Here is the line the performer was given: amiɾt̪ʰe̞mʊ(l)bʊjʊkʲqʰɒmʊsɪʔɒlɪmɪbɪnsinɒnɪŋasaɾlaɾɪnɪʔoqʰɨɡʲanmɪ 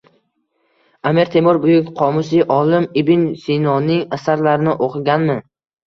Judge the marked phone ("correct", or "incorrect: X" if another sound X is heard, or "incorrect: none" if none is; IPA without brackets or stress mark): incorrect: ɾ